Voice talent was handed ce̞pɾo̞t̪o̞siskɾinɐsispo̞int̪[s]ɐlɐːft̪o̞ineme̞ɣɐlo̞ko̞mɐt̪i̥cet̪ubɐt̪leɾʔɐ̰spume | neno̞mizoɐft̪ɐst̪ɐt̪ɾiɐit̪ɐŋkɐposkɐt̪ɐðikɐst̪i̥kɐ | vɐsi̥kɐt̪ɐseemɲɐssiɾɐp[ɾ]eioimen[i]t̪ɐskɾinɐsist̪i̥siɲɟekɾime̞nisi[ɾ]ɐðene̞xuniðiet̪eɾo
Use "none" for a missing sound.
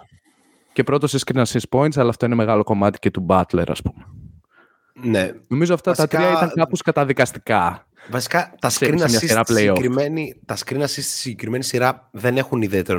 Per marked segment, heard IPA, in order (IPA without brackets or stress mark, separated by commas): s, l, i, ɾ